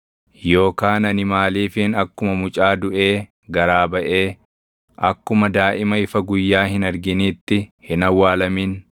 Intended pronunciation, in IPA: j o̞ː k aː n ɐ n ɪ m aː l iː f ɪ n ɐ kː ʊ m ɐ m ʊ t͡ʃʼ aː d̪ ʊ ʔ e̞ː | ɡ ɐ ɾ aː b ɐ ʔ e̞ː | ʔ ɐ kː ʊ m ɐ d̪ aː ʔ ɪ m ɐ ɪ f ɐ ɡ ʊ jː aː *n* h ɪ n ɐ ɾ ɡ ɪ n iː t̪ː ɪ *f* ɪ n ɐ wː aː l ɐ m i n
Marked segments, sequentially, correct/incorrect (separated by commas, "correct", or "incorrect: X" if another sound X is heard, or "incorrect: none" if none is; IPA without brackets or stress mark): incorrect: none, incorrect: h